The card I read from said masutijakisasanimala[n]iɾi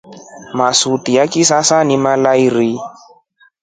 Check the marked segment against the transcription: incorrect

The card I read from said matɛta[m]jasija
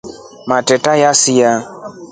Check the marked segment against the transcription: incorrect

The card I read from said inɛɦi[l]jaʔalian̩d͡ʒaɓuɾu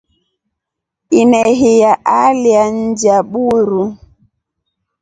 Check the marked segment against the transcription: incorrect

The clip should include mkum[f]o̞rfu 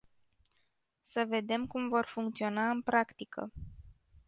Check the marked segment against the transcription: incorrect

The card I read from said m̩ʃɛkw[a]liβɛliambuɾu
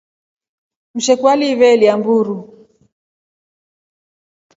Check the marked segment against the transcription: correct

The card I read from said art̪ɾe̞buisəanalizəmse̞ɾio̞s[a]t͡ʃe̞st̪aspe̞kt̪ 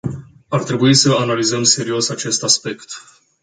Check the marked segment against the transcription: correct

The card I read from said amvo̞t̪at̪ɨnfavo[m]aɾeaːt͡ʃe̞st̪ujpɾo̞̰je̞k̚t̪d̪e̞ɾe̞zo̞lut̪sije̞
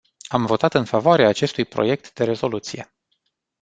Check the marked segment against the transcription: incorrect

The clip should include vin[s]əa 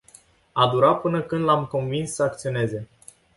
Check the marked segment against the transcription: incorrect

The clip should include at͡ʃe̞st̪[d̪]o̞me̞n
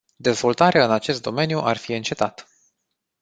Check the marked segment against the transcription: correct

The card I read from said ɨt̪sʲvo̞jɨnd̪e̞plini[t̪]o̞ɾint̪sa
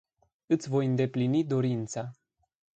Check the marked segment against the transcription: incorrect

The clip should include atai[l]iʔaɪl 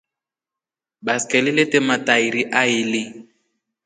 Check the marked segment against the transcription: incorrect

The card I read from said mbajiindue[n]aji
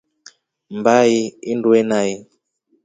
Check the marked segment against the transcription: correct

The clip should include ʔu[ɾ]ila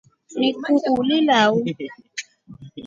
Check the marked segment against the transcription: incorrect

